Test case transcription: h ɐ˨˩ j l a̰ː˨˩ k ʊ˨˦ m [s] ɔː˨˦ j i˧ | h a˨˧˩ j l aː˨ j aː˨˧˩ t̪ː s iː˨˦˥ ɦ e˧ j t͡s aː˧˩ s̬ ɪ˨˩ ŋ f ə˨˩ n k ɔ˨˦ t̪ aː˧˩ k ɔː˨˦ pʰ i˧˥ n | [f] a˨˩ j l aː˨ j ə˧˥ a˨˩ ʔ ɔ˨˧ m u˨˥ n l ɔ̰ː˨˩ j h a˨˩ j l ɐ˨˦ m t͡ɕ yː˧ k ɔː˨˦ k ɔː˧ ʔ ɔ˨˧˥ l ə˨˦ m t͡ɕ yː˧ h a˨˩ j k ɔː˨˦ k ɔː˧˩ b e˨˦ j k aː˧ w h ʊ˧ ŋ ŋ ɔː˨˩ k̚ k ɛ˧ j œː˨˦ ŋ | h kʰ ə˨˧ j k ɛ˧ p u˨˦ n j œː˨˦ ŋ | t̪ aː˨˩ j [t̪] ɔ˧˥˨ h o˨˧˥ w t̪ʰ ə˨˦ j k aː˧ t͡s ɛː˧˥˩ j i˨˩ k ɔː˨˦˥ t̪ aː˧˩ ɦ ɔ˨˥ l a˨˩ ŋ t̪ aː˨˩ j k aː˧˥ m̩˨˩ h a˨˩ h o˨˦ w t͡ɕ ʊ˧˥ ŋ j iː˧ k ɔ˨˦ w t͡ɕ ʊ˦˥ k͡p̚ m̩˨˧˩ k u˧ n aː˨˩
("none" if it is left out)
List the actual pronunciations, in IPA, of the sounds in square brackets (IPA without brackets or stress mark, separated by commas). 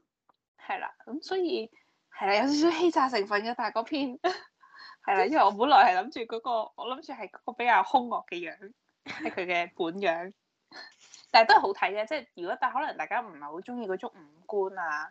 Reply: s, h, t̪